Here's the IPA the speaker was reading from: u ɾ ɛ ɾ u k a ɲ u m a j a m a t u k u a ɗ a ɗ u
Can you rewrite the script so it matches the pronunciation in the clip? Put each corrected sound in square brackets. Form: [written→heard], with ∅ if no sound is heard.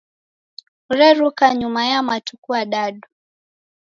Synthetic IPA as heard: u ɾ ɛ ɾ u k a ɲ u m a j a m a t u k u a ɗ a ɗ u